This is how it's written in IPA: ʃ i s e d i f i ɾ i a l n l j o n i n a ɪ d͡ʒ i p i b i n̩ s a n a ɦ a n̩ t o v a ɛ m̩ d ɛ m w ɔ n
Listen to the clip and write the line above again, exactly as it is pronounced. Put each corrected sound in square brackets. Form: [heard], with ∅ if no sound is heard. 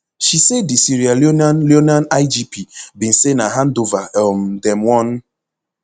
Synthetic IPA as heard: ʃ i s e d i [s] i ɾ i a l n l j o n [a] n a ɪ d͡ʒ i p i b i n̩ s [e] n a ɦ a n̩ [d] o v a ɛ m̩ d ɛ m w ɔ n